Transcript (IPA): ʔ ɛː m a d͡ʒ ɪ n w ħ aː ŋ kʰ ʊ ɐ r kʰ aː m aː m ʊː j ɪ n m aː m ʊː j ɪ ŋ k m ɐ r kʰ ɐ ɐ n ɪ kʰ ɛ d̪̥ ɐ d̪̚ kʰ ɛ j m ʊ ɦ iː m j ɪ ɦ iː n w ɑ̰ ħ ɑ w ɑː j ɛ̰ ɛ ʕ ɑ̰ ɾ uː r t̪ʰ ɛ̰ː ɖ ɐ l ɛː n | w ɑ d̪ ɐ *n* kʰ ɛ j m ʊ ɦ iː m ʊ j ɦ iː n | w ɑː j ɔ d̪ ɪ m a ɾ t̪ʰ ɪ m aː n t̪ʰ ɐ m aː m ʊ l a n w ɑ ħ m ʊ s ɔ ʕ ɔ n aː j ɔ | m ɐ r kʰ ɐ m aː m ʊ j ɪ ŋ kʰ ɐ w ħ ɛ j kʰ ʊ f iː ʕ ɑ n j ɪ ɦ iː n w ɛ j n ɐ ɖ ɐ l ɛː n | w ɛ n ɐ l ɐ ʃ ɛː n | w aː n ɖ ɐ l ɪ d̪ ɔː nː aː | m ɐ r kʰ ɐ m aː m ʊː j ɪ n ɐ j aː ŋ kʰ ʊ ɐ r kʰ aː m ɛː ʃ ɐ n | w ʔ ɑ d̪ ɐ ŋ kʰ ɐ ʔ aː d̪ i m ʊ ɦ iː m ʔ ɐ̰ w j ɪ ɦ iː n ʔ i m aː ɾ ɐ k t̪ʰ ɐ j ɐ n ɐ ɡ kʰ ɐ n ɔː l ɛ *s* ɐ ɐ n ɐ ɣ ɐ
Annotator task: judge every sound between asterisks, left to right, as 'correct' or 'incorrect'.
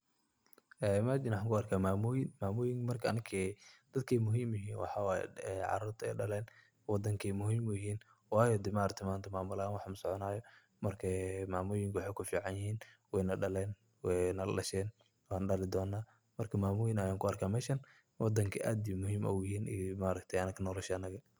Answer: incorrect: ŋ, incorrect: ʃ

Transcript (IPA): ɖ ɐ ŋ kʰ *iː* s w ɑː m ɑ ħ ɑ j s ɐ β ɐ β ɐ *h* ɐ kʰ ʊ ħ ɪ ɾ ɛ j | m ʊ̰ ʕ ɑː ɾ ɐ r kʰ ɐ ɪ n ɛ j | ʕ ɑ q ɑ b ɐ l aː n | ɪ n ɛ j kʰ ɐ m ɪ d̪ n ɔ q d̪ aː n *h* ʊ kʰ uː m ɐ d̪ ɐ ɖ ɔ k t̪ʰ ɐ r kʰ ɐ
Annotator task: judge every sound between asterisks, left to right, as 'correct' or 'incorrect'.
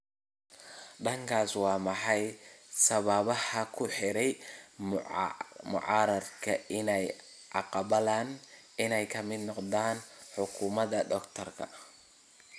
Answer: incorrect: aː, correct, incorrect: ħ

